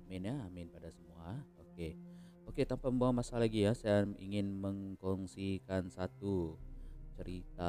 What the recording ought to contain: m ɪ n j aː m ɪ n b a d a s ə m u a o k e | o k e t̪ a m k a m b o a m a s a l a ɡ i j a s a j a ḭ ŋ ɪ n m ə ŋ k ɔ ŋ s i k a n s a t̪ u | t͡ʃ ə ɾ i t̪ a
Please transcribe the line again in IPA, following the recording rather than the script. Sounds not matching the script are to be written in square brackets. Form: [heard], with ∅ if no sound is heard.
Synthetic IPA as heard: m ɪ n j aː m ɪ n [p] a d a s ə m u a o k e | o k e t̪ a m [p] a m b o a m a s a l a ɡ i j a s a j a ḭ ŋ ɪ n m ə ŋ k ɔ ŋ s i k a n s a t̪ u | t͡ʃ ə ɾ i t̪ a